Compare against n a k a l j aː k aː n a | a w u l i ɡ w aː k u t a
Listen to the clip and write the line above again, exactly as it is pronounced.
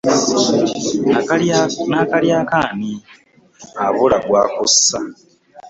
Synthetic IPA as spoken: n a k a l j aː k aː n i | a β u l a ɡ w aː k u s a